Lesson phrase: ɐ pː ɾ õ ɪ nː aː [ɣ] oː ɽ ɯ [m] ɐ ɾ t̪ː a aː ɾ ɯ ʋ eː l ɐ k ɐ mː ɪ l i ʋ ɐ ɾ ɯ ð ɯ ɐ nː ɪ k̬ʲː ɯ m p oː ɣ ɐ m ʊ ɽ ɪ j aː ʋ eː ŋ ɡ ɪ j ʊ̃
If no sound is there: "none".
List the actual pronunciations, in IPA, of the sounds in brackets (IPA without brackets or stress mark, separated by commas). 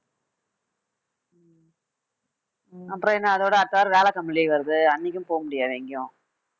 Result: ð, none